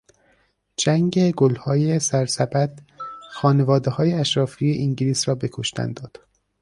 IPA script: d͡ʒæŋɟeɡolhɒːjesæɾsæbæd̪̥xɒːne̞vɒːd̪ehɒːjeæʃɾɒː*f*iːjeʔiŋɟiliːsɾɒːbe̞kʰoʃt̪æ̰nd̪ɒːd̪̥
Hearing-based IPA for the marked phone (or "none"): f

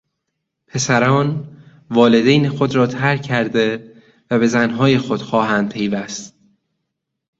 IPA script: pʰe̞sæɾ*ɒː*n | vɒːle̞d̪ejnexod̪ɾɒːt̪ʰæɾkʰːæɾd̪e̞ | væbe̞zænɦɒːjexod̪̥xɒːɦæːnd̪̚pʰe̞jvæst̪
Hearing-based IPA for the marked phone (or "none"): ɒː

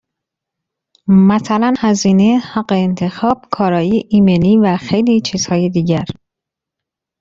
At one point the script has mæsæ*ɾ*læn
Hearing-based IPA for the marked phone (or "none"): none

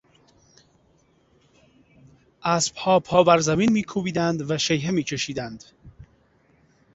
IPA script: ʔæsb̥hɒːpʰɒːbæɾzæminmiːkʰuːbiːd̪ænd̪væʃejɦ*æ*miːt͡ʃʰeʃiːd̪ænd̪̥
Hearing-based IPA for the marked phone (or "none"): e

